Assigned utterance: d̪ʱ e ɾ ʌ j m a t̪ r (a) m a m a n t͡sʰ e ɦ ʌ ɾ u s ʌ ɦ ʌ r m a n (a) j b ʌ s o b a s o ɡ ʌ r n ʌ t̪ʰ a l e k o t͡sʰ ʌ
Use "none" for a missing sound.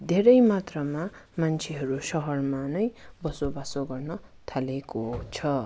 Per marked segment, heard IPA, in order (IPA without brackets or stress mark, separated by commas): ʌ, ʌ